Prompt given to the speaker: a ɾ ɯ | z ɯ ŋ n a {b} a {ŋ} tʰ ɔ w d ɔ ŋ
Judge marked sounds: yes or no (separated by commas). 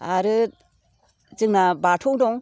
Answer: yes, no